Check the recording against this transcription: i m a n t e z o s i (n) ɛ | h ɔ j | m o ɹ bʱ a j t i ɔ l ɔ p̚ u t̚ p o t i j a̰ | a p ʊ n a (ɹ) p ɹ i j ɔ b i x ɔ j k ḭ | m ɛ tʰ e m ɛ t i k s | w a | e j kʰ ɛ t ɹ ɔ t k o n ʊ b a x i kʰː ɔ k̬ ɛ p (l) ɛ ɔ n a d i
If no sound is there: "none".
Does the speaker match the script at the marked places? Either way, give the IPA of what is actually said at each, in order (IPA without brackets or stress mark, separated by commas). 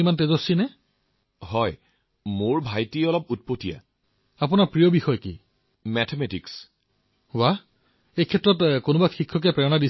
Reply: n, ɹ, ɹ